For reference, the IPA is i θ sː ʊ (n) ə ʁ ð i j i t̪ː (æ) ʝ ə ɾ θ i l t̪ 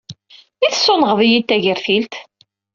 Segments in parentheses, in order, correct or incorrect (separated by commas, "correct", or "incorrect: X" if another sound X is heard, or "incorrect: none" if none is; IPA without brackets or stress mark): correct, correct